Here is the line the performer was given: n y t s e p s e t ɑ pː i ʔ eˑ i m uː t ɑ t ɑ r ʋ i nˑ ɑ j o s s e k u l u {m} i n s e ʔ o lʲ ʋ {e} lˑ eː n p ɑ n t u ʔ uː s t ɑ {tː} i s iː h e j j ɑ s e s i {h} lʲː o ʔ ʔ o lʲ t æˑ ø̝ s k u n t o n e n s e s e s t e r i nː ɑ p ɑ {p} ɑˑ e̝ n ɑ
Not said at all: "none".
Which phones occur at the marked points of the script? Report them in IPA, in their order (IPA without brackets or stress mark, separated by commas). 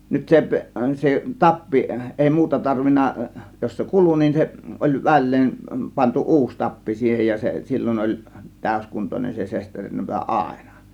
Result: n, æ, pː, none, none